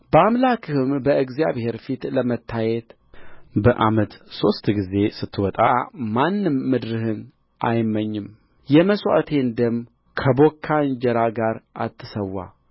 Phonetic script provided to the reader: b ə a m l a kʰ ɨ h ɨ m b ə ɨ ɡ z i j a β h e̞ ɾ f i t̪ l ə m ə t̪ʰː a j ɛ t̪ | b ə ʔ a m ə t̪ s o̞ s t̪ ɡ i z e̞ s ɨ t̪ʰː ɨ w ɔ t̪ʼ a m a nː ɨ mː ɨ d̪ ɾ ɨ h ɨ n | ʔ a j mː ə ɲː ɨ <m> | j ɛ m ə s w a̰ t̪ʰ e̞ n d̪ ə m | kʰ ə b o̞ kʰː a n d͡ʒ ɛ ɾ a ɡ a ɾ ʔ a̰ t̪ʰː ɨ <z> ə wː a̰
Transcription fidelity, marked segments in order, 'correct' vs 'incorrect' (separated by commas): correct, incorrect